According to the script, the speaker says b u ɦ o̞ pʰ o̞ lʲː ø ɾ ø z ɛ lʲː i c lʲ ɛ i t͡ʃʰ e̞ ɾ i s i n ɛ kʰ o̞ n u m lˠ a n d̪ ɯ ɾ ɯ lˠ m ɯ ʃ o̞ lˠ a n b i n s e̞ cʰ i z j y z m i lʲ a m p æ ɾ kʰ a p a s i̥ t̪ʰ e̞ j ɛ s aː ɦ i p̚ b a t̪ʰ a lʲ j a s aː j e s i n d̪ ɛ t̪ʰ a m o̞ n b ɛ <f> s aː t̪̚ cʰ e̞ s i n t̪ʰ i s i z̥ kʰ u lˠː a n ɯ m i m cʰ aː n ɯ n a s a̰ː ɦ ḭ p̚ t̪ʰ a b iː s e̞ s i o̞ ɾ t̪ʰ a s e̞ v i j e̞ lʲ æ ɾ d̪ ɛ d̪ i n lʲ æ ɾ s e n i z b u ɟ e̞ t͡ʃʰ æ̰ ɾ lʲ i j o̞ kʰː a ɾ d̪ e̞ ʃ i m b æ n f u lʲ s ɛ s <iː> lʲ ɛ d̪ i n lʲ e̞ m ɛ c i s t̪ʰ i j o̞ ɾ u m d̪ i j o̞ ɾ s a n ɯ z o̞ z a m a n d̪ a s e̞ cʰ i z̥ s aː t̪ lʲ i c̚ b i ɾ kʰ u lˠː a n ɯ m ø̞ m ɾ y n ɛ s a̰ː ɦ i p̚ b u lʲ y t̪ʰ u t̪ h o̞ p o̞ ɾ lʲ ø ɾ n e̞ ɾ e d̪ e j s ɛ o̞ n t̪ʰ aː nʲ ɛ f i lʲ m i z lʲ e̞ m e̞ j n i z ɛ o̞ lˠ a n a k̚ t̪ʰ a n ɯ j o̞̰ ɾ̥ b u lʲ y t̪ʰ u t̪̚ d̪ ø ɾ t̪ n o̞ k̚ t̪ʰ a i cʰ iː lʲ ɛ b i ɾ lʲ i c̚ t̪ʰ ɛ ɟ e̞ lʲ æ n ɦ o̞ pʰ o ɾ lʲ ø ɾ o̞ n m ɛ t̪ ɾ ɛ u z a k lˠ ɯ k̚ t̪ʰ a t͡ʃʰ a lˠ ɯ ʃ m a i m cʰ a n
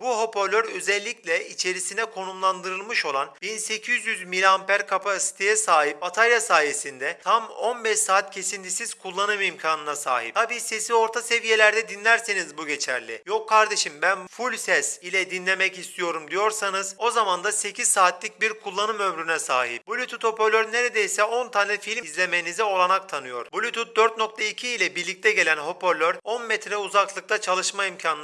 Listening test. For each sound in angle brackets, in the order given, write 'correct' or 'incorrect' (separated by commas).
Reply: incorrect, incorrect